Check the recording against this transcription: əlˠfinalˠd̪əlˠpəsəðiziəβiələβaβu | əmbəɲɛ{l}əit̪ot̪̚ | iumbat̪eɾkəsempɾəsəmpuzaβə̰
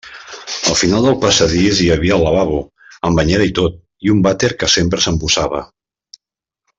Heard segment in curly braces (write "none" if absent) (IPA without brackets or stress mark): ɾ